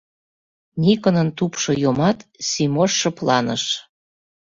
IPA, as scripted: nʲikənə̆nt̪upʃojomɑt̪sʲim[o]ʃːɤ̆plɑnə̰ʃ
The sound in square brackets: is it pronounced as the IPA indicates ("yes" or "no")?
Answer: yes